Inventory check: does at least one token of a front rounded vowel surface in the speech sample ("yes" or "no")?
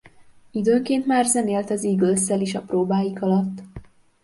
yes